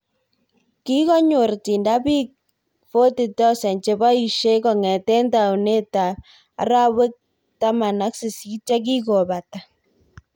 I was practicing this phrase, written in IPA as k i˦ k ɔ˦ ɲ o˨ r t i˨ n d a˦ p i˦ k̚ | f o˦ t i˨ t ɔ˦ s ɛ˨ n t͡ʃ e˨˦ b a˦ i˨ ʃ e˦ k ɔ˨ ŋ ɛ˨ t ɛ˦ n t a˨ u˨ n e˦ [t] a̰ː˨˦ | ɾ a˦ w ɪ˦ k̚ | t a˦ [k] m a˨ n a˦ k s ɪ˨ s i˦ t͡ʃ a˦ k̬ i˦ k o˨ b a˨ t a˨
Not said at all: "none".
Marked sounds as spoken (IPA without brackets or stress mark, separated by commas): t, none